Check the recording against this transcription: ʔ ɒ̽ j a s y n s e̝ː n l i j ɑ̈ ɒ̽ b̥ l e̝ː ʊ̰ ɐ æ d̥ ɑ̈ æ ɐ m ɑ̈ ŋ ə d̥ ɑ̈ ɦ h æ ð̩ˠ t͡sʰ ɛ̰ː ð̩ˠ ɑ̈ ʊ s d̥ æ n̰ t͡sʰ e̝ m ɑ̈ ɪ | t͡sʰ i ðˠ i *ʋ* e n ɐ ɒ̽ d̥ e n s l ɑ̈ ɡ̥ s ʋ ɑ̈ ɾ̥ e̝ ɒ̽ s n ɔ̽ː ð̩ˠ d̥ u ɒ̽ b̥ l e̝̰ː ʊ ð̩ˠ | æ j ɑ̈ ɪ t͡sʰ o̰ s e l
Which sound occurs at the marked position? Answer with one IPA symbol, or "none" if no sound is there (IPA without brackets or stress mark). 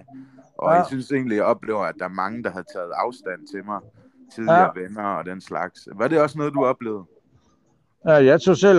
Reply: ʋ